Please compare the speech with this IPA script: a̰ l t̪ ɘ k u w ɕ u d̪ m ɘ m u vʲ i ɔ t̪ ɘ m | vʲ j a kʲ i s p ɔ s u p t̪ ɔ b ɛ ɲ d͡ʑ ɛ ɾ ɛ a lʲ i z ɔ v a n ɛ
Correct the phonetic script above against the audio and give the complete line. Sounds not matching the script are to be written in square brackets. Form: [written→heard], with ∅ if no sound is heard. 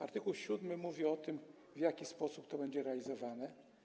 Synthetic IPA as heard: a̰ [l→ɾ] t̪ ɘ k u w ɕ u d̪ m ɘ m u vʲ i ɔ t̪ ɘ m | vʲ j a kʲ i s p ɔ s u p t̪ ɔ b ɛ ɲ d͡ʑ ɛ ɾ ɛ a lʲ i z ɔ v a n ɛ